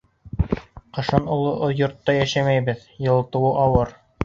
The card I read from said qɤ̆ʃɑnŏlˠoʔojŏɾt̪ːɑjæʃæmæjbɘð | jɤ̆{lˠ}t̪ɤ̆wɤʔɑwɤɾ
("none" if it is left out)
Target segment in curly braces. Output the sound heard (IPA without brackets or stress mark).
lˠ